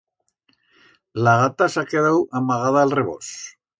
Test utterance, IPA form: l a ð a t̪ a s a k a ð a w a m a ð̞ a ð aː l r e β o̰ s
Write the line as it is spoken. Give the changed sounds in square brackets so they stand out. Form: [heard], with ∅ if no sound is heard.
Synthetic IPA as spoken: l a [ɣ] a t̪ a s a k [e] ð a w a m a [ɣ̞] a ð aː l r e β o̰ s